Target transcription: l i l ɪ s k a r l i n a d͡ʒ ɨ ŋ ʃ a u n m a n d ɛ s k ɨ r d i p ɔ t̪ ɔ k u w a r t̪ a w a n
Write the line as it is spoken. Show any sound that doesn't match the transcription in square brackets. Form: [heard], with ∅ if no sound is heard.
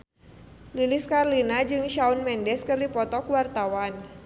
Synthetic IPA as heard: l i l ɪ s k a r l i n a d͡ʒ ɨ ŋ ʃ a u n m [ɛ] n d ɛ s k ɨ r d i p ɔ t̪ ɔ k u w a r t̪ a w a n

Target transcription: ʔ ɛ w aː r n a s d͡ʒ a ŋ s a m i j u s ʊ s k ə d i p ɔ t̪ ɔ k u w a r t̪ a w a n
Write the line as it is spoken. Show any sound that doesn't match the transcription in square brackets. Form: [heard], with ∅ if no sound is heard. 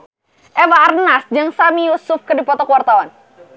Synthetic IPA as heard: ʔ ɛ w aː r n a s d͡ʒ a ŋ s a m i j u s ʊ [f] k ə d i p ɔ t̪ ɔ k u w a r t̪ a w a n

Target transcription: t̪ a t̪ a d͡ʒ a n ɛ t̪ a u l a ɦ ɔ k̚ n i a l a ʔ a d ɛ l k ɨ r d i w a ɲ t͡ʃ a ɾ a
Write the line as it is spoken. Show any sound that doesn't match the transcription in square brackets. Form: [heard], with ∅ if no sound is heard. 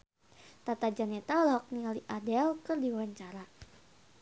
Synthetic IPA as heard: t̪ a t̪ a d͡ʒ a n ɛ t̪ a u l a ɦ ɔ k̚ n i a l [i] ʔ a d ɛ l k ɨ r d i w a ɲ t͡ʃ a ɾ a

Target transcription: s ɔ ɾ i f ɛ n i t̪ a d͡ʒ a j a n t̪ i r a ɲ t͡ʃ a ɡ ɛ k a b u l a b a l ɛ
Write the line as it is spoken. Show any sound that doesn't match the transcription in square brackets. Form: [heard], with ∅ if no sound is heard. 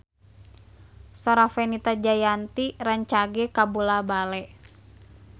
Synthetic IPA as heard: s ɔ ɾ [a] f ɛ n i t̪ a d͡ʒ a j a n t̪ i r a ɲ t͡ʃ a ɡ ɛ k a b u l a b a l ɛ

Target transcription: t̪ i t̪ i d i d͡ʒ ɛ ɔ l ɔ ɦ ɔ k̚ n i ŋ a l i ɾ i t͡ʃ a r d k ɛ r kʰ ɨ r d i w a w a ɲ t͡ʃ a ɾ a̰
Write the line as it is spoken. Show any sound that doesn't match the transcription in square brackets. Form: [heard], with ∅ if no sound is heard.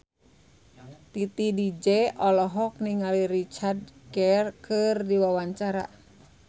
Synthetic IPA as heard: t̪ i t̪ i d i d͡ʒ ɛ ɔ l ɔ ɦ ɔ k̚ n i ŋ a l i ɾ i t͡ʃ a r d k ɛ r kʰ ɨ r d i w a w a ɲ t͡ʃ a ɾ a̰

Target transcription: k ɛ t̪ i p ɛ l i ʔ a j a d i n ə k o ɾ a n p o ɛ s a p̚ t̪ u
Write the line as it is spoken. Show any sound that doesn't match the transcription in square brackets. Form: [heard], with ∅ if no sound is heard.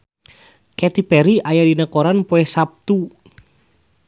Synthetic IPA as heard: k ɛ t̪ i p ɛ [ɾ] i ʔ a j a d i n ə k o ɾ a n p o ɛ s a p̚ t̪ u

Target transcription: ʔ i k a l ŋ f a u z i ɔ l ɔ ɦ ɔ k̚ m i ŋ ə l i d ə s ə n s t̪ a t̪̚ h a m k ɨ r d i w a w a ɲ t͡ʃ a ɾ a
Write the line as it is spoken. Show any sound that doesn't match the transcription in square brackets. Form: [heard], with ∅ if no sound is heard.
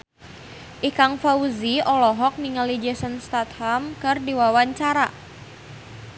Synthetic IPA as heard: ʔ i k a [∅] ŋ f a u z i ɔ l ɔ ɦ ɔ k̚ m i ŋ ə l i [d͡ʒ] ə s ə n s t̪ a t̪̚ h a m k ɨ r d i w a w a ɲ t͡ʃ a ɾ a

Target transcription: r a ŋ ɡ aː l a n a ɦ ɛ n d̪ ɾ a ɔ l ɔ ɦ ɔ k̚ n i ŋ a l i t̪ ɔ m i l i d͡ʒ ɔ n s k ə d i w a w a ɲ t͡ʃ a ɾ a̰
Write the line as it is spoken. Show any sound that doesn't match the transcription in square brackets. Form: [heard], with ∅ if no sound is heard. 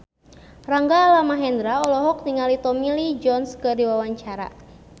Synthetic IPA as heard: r a ŋ ɡ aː l a [m] a ɦ ɛ n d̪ ɾ a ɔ l ɔ ɦ ɔ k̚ n i ŋ a l i t̪ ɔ m i l i d͡ʒ ɔ n s k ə d i w a w a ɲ t͡ʃ a ɾ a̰

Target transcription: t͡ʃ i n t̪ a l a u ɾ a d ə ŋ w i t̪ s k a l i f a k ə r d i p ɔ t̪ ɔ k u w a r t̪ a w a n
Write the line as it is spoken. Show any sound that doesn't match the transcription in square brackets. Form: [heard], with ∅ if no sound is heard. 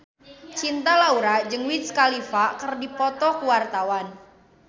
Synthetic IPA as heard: t͡ʃ i n t̪ a l a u ɾ a [d͡ʒ] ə ŋ w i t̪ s k a l i f a k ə r d i p ɔ t̪ ɔ k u w a r t̪ a w a n

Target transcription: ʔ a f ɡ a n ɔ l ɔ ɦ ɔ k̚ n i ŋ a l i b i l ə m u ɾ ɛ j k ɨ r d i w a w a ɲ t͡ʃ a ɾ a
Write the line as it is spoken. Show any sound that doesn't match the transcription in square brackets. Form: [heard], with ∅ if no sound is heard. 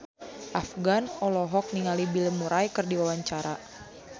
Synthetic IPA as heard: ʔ a f ɡ a n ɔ l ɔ ɦ ɔ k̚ n i ŋ a l i b i l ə m u ɾ [a] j k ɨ r d i w a w a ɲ t͡ʃ a ɾ a

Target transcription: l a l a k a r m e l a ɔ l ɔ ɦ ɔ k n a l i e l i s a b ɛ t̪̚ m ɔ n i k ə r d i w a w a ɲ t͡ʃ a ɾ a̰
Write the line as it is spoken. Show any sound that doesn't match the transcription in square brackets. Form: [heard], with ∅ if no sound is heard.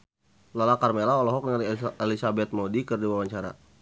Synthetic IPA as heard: l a l a k a r m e l a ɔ l ɔ ɦ ɔ k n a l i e l i s a b ɛ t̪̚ m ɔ [d] i k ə r d i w a w a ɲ t͡ʃ a ɾ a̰

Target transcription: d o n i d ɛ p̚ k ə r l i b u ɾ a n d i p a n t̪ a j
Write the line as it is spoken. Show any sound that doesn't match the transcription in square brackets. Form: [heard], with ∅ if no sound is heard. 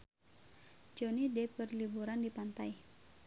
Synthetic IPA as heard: [d͡ʒ] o n i d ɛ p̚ k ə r l i b u ɾ a n d i p a n t̪ a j

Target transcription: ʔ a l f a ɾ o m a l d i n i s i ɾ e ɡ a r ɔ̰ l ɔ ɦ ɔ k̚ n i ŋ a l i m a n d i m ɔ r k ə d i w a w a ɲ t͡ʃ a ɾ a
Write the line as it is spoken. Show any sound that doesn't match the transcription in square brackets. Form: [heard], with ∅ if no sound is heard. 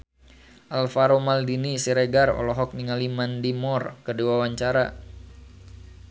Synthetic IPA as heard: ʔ a l f a ɾ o m a l d i n i s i ɾ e ɡ a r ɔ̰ l ɔ ɦ ɔ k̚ n i ŋ a l i m a n d i m ɔ r k ə d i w a w a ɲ t͡ʃ a ɾ a

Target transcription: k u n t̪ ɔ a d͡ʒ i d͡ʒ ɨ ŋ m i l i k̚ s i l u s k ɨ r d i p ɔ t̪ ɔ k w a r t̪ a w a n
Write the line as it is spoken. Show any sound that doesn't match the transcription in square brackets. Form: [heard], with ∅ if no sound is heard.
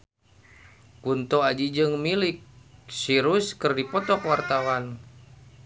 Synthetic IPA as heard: k u n t̪ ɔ a d͡ʒ i d͡ʒ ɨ ŋ m i l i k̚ s i [ɾ] u s k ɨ r d i p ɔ t̪ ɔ k w a r t̪ a w a n

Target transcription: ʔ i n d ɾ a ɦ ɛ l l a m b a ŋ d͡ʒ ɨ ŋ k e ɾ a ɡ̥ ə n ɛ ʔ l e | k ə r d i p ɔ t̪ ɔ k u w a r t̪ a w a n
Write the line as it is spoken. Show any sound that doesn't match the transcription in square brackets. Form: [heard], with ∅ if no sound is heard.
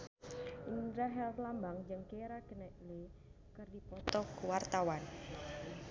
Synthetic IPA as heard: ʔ i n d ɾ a ɦ ɛ l l a m b a ŋ d͡ʒ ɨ ŋ k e ɾ a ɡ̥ ə n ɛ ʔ l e | k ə r d i p ɔ t̪ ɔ k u w a r t̪ a w a n

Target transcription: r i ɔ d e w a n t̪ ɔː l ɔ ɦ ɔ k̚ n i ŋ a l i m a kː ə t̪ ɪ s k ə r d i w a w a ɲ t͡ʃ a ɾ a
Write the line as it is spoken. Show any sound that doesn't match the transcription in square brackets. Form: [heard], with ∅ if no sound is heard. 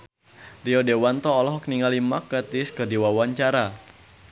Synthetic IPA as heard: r i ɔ d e w a n t̪ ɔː l ɔ ɦ ɔ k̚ n i ŋ a l i m a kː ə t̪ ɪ s k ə r d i w a w a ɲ t͡ʃ a ɾ a

